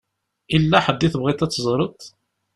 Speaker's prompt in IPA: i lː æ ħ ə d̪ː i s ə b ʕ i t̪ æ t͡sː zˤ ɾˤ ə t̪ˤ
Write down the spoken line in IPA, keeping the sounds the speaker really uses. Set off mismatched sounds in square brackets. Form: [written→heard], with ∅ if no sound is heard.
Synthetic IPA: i lː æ ħ ə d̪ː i [s→θ] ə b [ʕ→ʁ] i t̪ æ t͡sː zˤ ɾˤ ə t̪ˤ